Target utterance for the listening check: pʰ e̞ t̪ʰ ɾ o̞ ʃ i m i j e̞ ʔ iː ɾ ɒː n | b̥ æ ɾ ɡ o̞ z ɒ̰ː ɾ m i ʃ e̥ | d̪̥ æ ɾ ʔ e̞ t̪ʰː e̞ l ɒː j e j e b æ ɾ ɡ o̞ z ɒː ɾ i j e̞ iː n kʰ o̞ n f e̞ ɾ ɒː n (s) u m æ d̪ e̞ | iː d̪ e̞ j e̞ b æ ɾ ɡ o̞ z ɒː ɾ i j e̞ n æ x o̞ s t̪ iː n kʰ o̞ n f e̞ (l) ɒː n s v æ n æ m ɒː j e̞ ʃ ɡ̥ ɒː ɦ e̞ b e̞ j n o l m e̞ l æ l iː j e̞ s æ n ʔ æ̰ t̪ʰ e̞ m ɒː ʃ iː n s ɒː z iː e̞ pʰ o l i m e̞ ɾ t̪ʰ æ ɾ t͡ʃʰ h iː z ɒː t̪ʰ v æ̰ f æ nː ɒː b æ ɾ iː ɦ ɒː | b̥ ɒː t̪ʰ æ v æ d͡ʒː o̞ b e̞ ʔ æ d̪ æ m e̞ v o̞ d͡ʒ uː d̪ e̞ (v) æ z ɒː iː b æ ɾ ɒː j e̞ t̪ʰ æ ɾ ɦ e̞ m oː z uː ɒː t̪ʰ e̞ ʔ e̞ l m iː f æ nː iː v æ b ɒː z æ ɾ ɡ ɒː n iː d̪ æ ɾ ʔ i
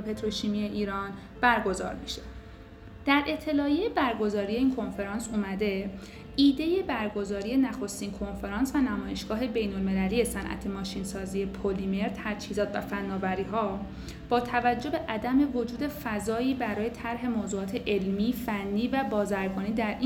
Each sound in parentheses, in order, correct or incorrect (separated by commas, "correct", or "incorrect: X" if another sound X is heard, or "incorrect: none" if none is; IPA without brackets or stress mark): correct, incorrect: ɾ, incorrect: f